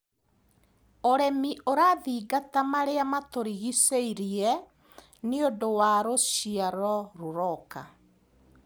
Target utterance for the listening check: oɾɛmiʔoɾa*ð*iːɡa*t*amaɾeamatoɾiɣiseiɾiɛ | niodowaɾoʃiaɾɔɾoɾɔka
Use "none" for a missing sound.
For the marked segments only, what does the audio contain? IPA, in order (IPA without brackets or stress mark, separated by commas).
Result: ð, t